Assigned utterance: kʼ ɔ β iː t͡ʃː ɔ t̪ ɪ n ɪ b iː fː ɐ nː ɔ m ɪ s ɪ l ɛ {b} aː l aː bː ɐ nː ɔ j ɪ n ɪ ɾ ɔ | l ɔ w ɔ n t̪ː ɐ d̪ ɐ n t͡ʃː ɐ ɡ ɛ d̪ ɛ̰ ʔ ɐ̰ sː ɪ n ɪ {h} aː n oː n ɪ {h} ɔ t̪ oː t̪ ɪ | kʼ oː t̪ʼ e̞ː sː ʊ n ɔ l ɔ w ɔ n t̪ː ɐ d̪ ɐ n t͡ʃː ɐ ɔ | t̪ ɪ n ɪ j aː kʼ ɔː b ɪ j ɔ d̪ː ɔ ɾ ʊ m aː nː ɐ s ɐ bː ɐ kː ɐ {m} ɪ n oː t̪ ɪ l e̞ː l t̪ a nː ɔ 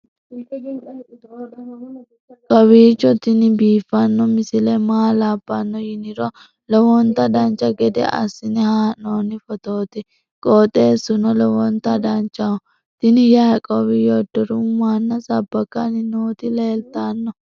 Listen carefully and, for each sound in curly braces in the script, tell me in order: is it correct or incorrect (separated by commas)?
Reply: incorrect, correct, incorrect, incorrect